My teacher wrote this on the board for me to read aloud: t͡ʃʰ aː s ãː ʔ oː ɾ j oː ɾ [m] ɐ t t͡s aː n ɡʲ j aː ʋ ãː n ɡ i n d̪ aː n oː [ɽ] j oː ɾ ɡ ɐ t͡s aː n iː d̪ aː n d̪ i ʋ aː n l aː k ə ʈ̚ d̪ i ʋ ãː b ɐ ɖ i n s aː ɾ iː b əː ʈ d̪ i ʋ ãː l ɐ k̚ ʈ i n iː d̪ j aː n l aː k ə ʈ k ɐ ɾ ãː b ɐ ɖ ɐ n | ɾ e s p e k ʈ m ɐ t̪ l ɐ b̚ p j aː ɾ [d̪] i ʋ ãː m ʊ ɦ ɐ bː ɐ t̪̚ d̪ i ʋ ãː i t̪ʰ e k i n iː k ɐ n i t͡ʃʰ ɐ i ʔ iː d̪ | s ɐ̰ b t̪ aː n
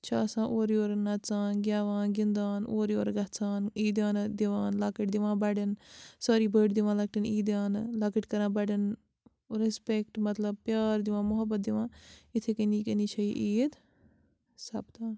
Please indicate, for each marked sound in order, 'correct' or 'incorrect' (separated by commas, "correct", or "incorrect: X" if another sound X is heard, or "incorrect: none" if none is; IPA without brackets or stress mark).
incorrect: n, incorrect: ɾ, correct